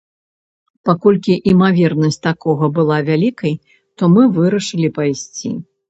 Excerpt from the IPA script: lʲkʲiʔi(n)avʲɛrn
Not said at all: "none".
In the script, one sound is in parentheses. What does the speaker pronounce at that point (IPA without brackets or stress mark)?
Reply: m